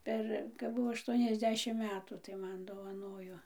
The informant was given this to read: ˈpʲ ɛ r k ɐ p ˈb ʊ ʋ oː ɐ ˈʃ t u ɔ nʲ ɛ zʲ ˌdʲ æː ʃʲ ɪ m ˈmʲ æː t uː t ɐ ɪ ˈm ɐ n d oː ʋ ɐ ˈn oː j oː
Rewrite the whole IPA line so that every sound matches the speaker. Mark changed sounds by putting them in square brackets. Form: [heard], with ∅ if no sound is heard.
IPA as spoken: ˈpʲ ɛ r k ɐ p ˈb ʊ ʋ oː ɐ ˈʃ t u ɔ nʲ ɛ zʲ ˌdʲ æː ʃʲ ɪ m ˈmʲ æː t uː t ɐ ɪ ˈm ɐ n d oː ʋ ɐ ˈn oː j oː